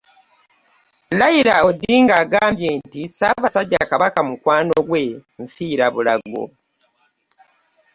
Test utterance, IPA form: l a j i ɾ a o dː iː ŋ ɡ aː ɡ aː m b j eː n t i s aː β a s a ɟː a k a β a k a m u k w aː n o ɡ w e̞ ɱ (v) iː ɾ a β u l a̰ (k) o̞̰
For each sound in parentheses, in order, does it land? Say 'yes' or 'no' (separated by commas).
no, no